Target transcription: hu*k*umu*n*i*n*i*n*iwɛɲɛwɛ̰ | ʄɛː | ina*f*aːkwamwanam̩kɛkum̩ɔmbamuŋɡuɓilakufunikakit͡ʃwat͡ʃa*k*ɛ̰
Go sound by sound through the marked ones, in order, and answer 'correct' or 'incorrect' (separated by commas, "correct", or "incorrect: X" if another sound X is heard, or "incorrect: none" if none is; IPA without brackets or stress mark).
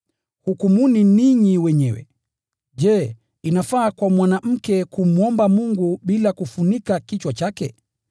correct, correct, correct, incorrect: ɲ, correct, correct